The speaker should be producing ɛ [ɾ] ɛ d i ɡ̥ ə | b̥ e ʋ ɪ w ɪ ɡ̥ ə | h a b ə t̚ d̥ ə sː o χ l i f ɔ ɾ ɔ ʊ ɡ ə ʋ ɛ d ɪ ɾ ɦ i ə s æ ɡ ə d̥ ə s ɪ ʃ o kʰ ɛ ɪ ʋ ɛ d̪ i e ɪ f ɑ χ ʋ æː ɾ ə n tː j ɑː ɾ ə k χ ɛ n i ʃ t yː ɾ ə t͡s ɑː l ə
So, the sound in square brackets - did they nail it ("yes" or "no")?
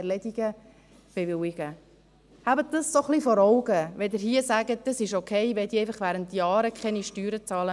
no